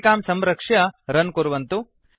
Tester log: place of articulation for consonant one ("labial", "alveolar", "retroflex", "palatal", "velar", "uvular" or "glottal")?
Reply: velar